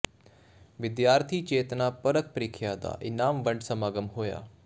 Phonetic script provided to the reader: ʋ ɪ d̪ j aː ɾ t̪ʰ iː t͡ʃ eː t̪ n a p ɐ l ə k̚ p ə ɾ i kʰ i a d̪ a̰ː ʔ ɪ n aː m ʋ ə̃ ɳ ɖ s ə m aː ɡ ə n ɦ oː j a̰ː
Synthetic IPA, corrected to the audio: ʋ ɪ d̪ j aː ɾ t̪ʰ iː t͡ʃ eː t̪ n a p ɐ ɾ ə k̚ p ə ɾ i kʰ j a d̪ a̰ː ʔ ɪ n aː m ʋ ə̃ ɳ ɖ s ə m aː ɡ ə m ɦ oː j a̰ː